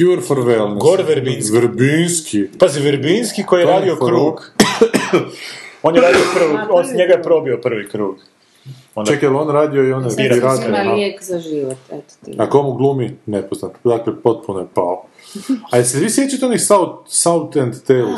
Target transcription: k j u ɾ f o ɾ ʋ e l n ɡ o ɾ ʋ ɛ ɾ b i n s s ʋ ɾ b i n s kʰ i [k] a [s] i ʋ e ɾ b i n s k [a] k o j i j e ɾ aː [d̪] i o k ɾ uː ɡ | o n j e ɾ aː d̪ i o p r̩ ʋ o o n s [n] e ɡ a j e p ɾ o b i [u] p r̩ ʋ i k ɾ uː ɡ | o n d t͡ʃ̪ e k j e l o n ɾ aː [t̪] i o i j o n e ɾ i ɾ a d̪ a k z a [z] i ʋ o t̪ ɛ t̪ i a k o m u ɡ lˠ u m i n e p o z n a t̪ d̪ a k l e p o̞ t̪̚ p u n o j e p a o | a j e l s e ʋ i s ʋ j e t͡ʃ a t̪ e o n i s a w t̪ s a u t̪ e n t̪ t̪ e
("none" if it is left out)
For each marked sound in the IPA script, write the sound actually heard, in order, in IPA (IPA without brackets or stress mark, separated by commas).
p, z, i, d̪, ɲ, o, d̪, ʒ